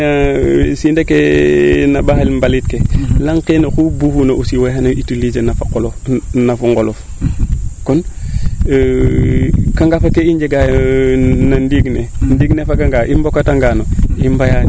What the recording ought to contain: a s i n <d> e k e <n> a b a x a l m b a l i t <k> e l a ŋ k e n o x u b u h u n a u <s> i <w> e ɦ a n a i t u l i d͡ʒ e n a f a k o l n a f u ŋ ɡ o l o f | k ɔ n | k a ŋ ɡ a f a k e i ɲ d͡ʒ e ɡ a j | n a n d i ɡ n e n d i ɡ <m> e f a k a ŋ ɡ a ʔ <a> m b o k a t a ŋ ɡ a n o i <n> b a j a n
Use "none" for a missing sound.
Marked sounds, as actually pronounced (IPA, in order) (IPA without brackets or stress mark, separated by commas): d, n, k, s, w, n, i, m